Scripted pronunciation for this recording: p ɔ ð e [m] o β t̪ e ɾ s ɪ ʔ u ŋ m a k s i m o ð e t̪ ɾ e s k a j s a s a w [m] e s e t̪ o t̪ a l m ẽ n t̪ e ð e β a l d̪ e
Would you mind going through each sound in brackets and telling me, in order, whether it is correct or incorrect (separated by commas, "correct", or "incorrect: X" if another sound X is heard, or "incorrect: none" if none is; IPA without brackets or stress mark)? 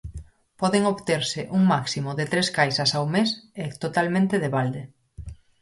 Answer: incorrect: ŋ, correct